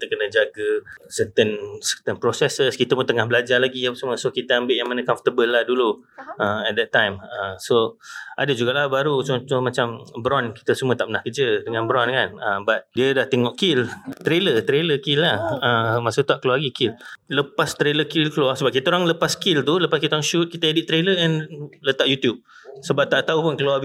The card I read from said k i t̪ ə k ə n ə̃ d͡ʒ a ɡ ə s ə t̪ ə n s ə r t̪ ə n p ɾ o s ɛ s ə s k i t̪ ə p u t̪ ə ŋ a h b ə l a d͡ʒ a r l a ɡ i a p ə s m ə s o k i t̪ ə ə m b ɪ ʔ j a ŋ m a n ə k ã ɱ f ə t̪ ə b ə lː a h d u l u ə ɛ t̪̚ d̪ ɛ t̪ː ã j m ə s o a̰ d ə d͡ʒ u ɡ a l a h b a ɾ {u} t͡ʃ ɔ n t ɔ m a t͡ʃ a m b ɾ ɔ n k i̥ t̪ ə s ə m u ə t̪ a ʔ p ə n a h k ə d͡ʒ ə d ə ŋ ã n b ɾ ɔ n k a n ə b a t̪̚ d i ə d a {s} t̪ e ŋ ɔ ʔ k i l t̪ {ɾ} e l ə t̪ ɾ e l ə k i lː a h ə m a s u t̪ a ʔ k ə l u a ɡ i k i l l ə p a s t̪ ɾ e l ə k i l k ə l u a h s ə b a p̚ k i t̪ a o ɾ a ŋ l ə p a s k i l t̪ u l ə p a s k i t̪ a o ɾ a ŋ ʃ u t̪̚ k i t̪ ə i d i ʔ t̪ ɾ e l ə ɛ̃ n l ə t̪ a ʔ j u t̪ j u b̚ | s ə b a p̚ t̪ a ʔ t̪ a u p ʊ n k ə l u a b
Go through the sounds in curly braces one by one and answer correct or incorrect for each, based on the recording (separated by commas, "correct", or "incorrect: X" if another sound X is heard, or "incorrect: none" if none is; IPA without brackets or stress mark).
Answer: correct, incorrect: h, correct